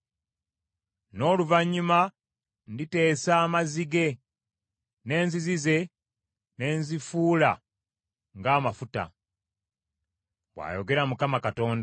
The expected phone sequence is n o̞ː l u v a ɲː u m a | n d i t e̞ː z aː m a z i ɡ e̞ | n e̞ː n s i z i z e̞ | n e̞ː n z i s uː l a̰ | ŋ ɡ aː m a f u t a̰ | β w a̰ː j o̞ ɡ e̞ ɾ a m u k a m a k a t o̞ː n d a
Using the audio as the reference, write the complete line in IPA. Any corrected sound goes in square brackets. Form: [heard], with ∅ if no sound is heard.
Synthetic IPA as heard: n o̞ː l u v a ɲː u m a | n d i t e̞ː [s] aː m a z i ɡ e̞ | n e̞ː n [z] i z i z e̞ | n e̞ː n z i [f] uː l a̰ | ŋ ɡ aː m a f u t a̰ | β w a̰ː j o̞ ɡ e̞ ɾ a m u k a m a k a t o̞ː n d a